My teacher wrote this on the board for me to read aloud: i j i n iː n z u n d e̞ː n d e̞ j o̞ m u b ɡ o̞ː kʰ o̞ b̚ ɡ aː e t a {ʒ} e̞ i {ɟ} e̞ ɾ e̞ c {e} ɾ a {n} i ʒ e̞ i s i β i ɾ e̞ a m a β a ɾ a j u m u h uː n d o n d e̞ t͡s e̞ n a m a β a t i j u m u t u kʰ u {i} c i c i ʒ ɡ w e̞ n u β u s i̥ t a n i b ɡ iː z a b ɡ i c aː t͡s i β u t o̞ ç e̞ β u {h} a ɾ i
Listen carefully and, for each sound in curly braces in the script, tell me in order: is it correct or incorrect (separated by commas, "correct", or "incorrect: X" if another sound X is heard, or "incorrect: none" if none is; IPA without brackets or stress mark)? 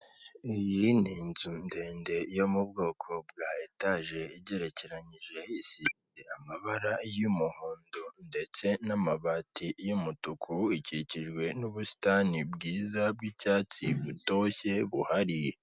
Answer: correct, correct, correct, incorrect: ɲ, correct, correct